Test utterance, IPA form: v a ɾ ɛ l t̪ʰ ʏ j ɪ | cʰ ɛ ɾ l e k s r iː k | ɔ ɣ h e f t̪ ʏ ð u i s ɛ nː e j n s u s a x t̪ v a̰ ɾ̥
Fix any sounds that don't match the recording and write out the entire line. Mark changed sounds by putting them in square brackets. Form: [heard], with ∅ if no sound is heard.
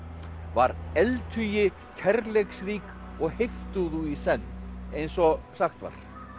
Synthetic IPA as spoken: v a ɾ ɛ l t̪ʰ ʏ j ɪ | cʰ ɛ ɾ l e k s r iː k | ɔ ɣ h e f t̪ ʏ ð u i s ɛ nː e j n s [ɔ] s a x t̪ v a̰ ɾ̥